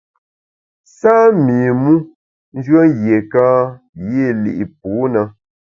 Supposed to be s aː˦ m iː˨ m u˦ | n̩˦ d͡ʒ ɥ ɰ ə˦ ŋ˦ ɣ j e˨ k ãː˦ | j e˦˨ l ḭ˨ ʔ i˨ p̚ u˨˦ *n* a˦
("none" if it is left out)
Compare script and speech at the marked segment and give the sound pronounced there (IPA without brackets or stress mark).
n